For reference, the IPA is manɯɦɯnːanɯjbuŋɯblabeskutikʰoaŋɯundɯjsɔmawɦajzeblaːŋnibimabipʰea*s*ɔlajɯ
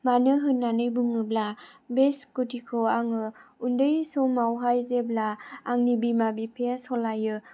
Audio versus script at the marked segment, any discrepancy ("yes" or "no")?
no